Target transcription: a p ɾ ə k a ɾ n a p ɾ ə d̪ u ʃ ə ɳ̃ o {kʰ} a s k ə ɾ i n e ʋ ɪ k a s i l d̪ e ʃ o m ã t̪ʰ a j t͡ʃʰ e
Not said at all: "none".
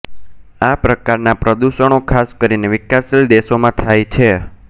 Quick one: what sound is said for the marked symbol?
kʰ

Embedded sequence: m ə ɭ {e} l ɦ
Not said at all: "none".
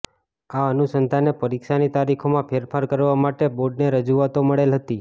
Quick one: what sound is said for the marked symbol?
e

